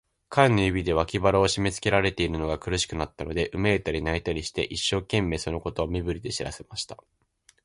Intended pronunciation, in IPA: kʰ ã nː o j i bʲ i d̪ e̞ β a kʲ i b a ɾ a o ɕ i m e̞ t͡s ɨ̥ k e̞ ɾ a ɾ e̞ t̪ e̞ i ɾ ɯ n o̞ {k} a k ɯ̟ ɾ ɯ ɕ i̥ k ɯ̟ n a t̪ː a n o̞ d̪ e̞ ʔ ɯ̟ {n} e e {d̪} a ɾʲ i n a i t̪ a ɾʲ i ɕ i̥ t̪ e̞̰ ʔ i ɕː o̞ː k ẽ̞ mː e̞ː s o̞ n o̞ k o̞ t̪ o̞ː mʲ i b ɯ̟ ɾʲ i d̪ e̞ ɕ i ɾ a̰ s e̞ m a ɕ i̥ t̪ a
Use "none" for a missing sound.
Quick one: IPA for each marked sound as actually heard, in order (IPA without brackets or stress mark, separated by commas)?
ɡ, m, t̪